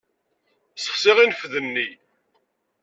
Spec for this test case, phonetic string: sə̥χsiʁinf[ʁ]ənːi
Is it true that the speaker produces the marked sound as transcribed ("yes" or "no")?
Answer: no